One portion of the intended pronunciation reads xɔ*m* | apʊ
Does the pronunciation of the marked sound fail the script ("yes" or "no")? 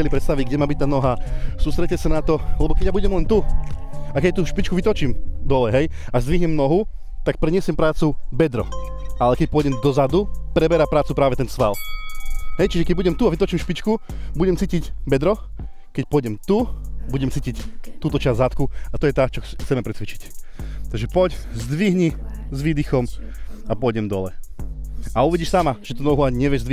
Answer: no